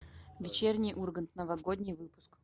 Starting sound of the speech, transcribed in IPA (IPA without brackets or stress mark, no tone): vʲ